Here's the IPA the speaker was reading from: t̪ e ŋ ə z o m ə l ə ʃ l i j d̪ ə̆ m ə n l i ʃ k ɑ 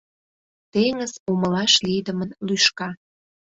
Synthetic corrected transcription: t̪ e ŋ ə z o m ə l ɑ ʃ l i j d̪ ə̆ m ə n l y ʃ k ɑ